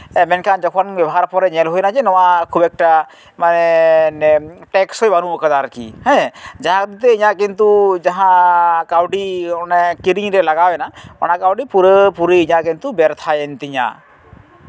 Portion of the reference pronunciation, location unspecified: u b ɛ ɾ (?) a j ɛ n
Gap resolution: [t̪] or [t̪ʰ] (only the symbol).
t̪ʰ